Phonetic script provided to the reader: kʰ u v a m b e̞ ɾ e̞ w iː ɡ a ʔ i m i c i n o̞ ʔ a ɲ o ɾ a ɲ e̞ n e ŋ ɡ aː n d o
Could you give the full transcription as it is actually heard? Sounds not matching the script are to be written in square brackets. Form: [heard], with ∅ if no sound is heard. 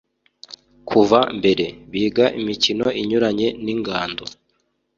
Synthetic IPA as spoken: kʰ u v a m b e̞ ɾ e̞ [β] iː ɡ a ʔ i m i c i n o̞ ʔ [i] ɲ [u] ɾ a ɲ e̞ n [i] ŋ ɡ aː n d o